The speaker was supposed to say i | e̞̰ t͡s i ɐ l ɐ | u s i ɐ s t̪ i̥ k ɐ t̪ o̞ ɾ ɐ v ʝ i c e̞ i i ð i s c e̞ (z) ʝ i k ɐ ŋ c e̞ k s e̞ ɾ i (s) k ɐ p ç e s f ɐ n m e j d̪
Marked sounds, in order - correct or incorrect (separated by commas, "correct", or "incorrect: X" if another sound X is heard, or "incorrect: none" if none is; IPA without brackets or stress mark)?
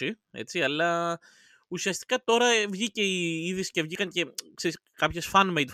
incorrect: v, correct